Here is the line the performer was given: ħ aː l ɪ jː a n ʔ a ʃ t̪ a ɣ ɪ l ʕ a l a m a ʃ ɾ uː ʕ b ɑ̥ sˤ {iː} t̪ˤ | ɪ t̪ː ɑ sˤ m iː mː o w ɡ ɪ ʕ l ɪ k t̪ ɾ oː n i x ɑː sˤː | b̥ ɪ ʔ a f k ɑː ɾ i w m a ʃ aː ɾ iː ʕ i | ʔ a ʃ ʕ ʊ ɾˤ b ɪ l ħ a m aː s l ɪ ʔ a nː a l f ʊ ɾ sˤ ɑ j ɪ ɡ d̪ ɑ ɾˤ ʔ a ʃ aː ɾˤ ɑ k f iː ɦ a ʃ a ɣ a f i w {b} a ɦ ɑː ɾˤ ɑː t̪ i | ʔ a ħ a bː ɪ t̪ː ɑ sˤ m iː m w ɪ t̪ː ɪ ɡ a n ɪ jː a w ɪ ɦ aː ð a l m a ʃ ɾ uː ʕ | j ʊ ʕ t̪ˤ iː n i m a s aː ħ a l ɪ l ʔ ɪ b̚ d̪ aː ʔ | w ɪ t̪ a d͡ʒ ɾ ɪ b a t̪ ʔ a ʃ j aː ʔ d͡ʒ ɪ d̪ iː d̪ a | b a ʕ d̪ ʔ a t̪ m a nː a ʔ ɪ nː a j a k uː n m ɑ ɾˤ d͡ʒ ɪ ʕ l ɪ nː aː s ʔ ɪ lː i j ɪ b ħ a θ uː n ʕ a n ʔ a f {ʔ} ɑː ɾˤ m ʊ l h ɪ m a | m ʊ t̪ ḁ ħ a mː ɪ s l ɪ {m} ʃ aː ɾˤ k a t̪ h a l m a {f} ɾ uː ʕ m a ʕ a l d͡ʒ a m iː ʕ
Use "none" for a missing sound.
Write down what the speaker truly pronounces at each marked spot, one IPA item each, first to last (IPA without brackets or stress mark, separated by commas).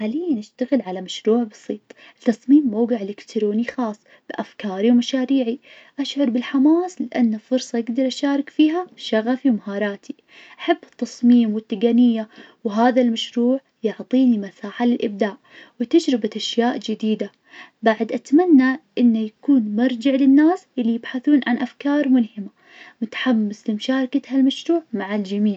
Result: iː, m, k, m, ʃ